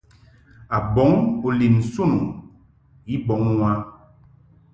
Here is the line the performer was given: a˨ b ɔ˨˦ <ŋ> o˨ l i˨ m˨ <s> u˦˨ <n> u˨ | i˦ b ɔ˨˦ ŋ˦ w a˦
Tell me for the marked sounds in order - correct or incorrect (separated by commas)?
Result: correct, correct, correct